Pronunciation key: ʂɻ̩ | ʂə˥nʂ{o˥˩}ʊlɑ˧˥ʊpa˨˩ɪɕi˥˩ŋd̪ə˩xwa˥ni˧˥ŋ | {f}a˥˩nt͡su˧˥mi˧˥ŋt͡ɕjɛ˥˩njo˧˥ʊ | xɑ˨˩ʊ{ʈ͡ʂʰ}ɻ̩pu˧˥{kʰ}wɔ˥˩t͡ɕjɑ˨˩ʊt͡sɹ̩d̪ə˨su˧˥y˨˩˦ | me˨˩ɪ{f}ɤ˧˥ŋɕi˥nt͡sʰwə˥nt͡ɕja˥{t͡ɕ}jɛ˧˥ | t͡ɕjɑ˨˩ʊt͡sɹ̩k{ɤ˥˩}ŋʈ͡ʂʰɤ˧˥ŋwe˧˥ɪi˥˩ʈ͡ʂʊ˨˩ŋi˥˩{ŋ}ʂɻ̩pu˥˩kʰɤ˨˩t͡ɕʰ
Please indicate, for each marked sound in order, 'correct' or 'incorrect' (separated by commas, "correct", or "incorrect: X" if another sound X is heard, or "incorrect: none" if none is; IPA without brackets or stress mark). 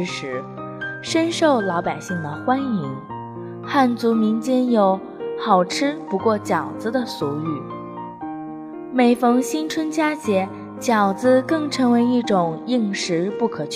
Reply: correct, incorrect: x, correct, incorrect: k, correct, correct, correct, correct